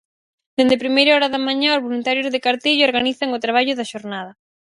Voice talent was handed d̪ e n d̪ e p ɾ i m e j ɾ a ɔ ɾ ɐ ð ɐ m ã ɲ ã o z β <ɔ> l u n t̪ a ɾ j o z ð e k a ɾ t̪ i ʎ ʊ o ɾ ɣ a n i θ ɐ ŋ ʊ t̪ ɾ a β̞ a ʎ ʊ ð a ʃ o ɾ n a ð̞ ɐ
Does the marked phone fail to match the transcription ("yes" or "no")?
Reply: yes